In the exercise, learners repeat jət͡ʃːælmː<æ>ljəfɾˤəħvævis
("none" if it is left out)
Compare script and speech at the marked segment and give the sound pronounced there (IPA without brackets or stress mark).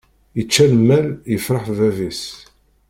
æ